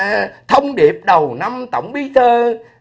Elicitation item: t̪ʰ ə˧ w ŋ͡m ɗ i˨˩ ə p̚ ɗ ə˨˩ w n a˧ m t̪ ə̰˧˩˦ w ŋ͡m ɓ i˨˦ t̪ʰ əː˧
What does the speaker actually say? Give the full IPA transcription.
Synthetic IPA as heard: t̪ʰ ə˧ w ŋ͡m ɗ i˨˩ ə p̚ ɗ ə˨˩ w n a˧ m t̪ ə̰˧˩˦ w ŋ͡m ɓ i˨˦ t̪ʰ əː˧